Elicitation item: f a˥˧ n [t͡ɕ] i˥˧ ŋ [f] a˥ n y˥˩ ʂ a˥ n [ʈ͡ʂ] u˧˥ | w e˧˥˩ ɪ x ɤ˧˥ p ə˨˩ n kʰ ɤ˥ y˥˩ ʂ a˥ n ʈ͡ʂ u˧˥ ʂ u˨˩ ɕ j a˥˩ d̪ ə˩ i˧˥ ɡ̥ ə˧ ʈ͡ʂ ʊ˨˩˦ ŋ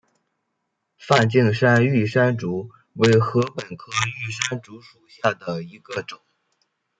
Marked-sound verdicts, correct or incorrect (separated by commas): correct, incorrect, correct